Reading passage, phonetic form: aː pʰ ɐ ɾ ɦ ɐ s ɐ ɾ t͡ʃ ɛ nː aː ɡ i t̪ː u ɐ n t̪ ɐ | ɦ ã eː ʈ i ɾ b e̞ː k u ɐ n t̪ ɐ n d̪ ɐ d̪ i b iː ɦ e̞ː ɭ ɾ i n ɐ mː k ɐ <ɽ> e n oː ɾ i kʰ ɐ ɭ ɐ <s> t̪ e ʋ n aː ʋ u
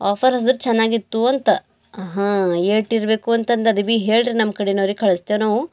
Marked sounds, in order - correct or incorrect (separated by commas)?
correct, correct